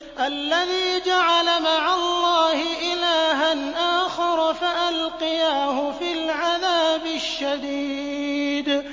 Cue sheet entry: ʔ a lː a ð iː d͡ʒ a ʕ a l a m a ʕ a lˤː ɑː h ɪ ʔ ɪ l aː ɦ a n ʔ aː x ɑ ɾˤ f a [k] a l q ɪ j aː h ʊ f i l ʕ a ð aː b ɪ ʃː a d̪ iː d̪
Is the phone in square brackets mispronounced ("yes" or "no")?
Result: yes